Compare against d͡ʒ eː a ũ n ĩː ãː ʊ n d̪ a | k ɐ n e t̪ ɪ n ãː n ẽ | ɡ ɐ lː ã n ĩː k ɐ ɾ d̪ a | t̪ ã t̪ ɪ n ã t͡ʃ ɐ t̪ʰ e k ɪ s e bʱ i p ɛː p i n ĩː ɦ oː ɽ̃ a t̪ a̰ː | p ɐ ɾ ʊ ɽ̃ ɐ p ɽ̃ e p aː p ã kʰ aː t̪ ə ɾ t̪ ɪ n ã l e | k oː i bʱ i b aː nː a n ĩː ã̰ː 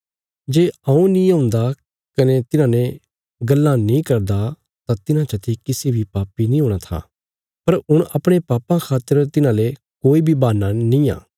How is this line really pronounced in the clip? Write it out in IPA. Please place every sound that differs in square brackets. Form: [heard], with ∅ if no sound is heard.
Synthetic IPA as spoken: d͡ʒ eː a ũ n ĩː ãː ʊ n d̪ a | k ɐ n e t̪ ɪ n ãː n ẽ | ɡ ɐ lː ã n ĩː k ɐ ɾ d̪ a | t̪ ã t̪ ɪ n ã t͡ʃ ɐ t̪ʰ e k ɪ s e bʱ i p [aː] p i n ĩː ɦ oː ɽ̃ a [t̪ʰ] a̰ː | p ɐ ɾ ʊ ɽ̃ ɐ p ɽ̃ e p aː p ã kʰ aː t̪ ə ɾ t̪ ɪ n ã l e | k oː i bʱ i b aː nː a n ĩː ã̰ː